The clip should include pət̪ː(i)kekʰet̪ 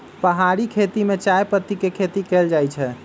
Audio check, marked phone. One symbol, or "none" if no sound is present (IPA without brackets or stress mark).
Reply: i